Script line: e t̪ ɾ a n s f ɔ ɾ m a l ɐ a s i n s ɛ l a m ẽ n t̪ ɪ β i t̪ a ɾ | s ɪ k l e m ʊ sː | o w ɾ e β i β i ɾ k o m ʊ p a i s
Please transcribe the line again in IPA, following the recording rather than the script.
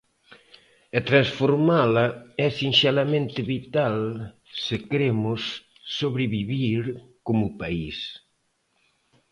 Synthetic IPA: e t̪ ɾ a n s f o ɾ m a l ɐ ɛ s i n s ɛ l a m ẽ n t̪ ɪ β i t̪ a l | s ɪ k ɾ e m ʊ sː | o β ɾ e β i β i ɾ k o m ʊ p a i s